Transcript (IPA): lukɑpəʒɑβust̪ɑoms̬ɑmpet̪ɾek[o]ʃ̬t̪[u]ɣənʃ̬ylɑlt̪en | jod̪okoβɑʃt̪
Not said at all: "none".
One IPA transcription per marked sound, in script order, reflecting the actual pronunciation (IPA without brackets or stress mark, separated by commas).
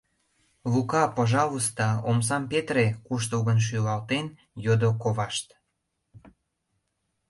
u, u